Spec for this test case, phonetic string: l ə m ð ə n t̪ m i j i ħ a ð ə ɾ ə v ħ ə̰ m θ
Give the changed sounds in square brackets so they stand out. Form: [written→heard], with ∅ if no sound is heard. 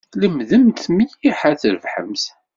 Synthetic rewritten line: l ə m ð ə [n→m] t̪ m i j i ħ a [ð→θ] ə ɾ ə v ħ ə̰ m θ